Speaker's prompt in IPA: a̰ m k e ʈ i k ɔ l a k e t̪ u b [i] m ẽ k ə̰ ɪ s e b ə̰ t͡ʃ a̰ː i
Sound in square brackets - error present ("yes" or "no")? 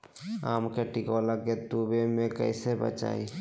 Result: yes